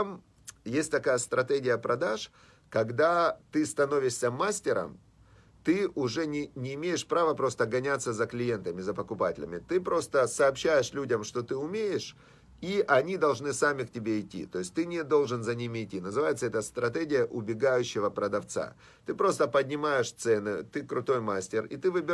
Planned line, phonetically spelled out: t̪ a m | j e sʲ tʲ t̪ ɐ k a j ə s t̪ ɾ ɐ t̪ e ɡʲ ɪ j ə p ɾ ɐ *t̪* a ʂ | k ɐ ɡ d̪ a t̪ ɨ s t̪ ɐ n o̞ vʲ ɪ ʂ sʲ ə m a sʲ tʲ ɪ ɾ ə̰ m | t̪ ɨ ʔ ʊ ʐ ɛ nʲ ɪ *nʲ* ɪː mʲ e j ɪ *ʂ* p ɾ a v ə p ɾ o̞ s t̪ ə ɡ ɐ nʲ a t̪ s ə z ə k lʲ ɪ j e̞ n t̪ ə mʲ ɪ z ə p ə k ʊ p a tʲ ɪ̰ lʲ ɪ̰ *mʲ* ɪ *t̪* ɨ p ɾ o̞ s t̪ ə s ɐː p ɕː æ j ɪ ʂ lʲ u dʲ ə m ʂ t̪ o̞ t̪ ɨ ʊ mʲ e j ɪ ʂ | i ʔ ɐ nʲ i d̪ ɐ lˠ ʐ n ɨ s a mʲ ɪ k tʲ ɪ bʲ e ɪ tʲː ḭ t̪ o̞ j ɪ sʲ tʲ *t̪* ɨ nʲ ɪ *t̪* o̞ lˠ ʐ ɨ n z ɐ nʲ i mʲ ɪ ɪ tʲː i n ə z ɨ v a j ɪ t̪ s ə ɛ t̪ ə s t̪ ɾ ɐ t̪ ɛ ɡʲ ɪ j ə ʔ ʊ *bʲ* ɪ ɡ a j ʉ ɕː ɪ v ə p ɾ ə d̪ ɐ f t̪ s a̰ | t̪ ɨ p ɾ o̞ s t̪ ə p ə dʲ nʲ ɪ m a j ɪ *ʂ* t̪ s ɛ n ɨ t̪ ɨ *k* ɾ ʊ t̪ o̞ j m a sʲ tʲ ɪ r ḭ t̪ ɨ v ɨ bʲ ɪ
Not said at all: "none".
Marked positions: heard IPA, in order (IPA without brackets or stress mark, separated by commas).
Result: d̪, nʲ, ʂ, mʲ, t̪, t̪, d̪, bʲ, ʂ, k